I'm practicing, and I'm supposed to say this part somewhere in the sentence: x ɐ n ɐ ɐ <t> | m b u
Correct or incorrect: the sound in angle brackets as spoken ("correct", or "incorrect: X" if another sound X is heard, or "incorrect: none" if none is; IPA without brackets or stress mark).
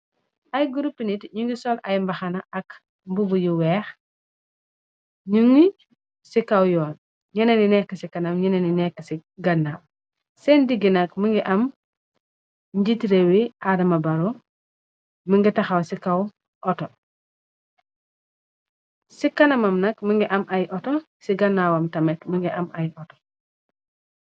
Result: incorrect: k